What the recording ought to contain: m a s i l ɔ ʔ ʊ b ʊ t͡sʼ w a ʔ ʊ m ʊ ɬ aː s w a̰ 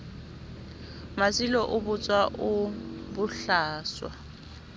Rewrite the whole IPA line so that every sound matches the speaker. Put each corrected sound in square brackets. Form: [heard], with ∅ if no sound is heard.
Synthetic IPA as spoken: m a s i l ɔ ʔ ʊ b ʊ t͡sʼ w a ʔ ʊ [b] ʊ ɬ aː s w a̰